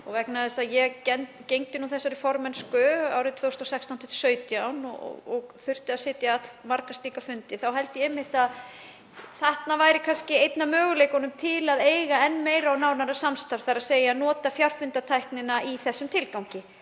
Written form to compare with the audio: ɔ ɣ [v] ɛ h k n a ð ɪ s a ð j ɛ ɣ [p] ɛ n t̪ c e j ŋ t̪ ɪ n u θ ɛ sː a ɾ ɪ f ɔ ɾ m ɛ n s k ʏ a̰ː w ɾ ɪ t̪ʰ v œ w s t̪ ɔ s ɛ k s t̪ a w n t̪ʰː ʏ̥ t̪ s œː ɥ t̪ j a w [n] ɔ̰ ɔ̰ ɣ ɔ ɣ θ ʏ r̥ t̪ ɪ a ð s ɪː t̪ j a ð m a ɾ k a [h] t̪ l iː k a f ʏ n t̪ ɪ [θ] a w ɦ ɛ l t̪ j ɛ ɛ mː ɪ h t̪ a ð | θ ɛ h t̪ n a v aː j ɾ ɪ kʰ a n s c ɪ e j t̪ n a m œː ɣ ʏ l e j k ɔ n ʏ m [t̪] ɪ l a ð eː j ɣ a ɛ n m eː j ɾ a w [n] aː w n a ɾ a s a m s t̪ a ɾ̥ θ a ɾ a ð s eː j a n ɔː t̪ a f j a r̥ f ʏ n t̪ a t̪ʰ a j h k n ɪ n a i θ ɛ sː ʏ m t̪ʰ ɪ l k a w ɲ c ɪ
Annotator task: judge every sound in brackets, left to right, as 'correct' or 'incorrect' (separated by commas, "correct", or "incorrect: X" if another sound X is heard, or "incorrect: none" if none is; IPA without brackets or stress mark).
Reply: correct, incorrect: c, correct, incorrect: s, correct, incorrect: t̪ʰ, correct